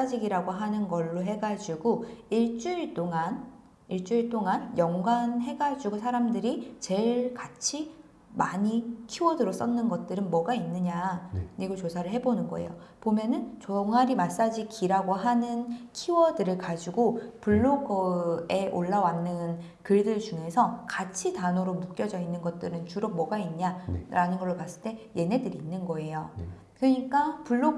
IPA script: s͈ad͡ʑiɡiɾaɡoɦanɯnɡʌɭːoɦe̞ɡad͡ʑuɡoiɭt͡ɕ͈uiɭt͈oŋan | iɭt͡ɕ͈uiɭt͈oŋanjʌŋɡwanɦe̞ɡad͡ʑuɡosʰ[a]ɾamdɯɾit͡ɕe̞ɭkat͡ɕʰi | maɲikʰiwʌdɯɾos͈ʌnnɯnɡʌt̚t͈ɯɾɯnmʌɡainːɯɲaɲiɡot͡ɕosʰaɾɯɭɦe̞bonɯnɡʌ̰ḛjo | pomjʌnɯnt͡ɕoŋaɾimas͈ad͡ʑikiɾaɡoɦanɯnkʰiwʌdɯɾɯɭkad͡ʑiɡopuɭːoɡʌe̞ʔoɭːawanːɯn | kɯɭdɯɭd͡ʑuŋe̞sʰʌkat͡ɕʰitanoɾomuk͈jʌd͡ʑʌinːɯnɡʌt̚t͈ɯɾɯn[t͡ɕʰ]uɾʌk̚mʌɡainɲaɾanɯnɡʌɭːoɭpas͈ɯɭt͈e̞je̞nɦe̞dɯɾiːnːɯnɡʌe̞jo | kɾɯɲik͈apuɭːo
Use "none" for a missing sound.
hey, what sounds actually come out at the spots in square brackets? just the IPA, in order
a, t͡ɕ

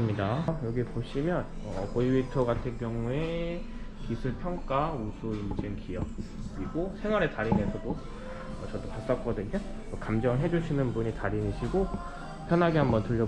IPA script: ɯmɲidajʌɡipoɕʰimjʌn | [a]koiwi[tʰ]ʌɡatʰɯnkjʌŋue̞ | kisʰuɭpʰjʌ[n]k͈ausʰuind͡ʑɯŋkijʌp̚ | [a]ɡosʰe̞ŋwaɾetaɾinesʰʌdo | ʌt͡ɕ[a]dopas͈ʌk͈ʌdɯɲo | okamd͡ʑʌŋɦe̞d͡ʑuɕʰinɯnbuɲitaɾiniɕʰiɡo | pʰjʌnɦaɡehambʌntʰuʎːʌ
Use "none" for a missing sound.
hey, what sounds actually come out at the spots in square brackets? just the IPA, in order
ʌ, tʰ, ŋ, i, ʌ

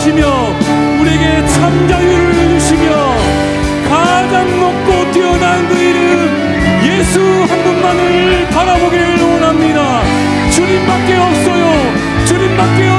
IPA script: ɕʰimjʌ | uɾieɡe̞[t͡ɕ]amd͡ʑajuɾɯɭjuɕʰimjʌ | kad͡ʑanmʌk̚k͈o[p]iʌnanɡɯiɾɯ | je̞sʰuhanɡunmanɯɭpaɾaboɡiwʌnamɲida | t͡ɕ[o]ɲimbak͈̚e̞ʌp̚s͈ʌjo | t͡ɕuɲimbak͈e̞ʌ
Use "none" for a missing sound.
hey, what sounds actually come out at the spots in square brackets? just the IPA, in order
t͡ɕʰ, t, u

